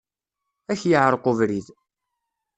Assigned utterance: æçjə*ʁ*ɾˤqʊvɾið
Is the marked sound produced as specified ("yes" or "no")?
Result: no